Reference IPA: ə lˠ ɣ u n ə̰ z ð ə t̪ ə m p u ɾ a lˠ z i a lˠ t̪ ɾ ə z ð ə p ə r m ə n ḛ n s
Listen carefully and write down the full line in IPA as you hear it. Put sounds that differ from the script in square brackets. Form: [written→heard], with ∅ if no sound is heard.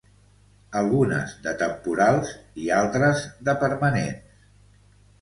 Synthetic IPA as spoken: ə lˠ ɣ u n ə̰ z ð ə t̪ ə m p u ɾ a lˠ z i a lˠ t̪ ɾ ə z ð ə p ə [r→ɾ] m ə n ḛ n s